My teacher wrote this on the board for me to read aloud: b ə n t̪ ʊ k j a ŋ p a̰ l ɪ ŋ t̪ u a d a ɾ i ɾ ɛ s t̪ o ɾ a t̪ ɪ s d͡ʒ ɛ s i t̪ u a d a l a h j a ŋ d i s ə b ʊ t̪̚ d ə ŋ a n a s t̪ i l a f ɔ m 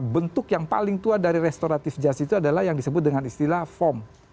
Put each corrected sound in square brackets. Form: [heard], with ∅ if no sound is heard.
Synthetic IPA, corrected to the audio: b ə n t̪ ʊ k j a ŋ p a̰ l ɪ ŋ t̪ u a d a ɾ i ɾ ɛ s t̪ o ɾ a t̪ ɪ [f] d͡ʒ [a] s i t̪ u a d a l a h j a ŋ d i s ə b ʊ t̪̚ d ə ŋ a n [i] s t̪ i l a f ɔ m